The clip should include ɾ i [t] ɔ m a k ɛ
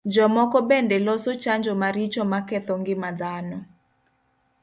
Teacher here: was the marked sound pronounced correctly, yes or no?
no